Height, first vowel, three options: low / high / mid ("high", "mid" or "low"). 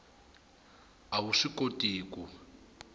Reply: low